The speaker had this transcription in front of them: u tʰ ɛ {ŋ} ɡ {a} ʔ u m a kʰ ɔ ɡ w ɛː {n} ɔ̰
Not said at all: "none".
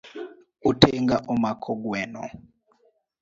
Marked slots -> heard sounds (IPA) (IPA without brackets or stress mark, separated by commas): ŋ, a, n